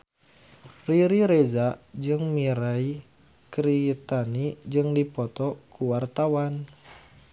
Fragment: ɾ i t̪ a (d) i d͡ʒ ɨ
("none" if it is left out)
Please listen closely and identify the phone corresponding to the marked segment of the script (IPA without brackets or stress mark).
n